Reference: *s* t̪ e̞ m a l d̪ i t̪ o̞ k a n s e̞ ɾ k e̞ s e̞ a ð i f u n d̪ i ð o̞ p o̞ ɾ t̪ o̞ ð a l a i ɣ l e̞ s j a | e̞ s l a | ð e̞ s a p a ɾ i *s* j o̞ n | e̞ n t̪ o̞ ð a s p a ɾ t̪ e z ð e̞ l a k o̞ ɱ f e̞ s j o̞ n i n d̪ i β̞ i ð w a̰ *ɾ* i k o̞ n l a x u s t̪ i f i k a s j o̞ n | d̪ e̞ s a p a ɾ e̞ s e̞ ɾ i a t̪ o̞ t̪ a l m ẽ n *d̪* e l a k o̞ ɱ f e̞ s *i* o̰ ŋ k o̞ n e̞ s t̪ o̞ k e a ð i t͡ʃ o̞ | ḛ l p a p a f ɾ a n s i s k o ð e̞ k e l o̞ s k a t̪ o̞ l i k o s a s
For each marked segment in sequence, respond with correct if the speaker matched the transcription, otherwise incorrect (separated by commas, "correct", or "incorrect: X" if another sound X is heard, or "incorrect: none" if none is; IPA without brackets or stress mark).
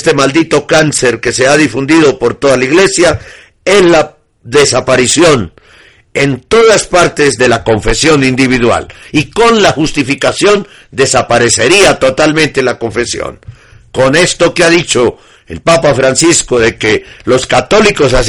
correct, correct, incorrect: l, incorrect: t̪, incorrect: j